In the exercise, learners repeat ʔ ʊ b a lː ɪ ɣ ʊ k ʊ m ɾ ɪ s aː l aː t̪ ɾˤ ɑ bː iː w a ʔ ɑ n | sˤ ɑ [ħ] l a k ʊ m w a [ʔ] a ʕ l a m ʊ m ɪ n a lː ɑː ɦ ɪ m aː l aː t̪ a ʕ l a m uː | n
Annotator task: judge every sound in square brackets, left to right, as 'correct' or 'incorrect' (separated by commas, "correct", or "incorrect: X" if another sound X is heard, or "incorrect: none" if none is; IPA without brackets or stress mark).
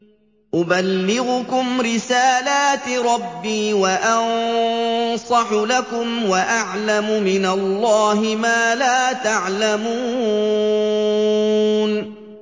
correct, correct